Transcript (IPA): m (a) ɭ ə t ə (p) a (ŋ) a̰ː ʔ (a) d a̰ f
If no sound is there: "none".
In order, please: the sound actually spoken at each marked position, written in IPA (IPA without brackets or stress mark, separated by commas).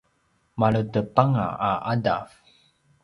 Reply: a, p, ŋ, a